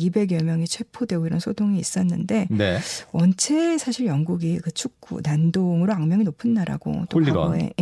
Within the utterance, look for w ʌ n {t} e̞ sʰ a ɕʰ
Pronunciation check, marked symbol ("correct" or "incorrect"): incorrect